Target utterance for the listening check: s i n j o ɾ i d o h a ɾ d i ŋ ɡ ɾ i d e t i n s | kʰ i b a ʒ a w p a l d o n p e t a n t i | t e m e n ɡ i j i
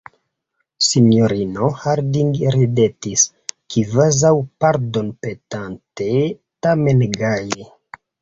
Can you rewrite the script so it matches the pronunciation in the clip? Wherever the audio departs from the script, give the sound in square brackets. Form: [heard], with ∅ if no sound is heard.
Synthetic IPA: s i n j o ɾ i [n] o h a ɾ d i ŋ ɡ ɾ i d e t i [∅] s | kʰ i [v] a [z] a w p a [ɾ] d o n p e t a n t [e] | t [a] m e n ɡ [a] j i